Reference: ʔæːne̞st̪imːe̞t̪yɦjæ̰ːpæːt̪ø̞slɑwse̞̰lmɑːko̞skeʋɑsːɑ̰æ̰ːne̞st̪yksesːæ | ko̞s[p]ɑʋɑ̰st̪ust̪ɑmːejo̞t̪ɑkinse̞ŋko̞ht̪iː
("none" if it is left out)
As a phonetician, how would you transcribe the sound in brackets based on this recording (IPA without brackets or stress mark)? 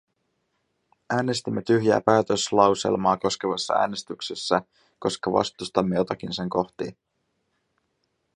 k